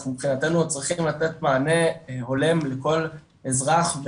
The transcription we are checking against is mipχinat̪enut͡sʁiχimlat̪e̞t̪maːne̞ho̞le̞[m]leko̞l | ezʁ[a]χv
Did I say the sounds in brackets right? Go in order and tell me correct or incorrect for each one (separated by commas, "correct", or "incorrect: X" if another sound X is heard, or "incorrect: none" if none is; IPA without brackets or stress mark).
correct, correct